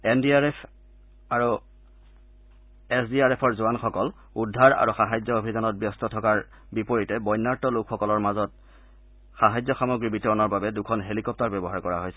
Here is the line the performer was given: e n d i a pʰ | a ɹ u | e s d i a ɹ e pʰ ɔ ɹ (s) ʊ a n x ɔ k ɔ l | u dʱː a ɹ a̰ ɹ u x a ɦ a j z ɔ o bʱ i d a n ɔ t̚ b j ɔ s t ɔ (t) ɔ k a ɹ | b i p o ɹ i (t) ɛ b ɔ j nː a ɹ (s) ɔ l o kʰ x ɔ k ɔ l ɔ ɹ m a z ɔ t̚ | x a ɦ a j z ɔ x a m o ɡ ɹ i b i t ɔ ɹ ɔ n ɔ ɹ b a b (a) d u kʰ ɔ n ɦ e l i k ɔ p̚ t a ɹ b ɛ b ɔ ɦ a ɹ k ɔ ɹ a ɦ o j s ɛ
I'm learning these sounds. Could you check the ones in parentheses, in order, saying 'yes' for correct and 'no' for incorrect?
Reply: no, no, yes, no, no

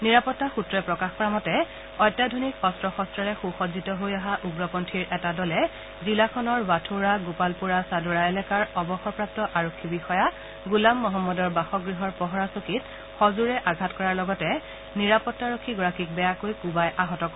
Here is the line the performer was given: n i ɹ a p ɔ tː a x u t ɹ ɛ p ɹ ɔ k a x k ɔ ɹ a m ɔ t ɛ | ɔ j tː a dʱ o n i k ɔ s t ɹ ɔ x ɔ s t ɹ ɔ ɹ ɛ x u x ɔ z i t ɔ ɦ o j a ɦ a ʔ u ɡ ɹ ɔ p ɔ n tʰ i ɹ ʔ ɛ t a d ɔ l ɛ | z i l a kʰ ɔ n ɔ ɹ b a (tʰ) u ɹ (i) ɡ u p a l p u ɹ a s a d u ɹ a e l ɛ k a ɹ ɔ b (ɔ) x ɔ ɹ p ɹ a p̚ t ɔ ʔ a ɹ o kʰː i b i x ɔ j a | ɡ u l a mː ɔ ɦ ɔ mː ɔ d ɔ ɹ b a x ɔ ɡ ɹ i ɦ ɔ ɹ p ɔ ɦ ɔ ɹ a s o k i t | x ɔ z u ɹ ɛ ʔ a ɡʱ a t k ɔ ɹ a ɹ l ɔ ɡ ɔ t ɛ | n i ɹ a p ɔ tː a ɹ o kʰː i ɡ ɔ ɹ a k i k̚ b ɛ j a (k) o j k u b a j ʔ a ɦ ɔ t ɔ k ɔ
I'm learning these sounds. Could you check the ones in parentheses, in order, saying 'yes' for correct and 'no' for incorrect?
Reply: yes, no, yes, yes

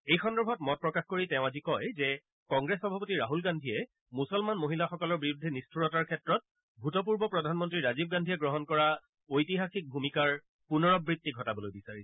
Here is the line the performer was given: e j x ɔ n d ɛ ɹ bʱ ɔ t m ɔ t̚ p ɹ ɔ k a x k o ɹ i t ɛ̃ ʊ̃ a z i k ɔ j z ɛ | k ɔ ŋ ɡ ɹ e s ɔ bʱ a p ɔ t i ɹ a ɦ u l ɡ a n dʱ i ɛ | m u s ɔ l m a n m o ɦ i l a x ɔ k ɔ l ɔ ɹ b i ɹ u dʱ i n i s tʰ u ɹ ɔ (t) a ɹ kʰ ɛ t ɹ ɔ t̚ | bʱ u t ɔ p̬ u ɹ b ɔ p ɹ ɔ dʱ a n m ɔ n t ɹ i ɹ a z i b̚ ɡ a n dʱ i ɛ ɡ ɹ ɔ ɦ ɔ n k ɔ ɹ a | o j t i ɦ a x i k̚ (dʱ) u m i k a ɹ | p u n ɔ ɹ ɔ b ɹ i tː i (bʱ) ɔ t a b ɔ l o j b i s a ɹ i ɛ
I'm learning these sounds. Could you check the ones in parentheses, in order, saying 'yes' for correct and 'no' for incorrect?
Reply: yes, no, no

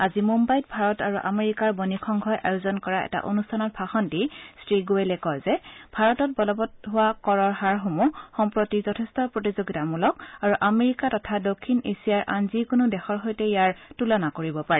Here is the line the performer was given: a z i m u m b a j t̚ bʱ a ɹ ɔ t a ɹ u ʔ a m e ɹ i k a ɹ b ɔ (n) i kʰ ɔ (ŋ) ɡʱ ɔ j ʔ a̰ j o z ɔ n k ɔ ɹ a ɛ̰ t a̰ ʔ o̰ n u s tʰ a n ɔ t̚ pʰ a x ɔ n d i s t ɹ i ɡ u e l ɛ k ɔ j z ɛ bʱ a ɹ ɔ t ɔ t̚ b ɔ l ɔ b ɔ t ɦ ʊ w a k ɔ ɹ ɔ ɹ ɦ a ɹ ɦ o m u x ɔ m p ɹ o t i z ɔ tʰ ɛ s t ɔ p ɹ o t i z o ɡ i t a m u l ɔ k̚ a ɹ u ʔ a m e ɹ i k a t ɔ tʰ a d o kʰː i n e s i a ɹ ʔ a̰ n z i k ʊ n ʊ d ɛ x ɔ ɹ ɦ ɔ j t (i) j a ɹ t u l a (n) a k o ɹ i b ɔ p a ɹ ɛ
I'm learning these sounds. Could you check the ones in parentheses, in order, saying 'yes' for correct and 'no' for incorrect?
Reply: yes, yes, no, yes

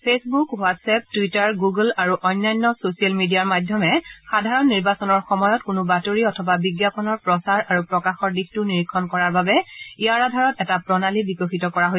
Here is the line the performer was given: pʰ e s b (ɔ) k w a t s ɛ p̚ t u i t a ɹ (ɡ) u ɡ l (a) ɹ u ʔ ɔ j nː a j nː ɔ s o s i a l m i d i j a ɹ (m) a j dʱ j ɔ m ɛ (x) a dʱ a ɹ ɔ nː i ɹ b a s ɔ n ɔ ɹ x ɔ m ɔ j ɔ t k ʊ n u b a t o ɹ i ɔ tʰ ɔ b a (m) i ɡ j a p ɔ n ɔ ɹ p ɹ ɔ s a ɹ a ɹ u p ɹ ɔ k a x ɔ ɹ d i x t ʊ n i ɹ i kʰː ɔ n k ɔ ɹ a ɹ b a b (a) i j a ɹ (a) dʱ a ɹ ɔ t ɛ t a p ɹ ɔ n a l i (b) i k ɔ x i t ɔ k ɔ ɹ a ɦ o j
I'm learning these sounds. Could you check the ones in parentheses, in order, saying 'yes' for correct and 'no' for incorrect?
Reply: no, yes, yes, yes, yes, no, no, yes, yes

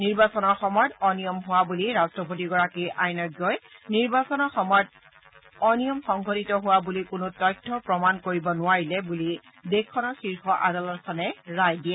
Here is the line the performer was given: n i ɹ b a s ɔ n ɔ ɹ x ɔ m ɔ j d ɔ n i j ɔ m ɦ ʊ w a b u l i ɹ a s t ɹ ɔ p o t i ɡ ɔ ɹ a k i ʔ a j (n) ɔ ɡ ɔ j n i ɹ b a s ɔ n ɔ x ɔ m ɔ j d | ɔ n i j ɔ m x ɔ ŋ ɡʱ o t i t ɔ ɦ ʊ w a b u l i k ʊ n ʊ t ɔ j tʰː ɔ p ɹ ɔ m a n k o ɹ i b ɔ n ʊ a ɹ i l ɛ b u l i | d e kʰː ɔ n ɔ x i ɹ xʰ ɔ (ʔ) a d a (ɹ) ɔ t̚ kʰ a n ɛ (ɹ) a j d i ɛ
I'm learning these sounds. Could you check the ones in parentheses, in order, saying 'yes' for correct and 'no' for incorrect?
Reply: yes, yes, no, yes

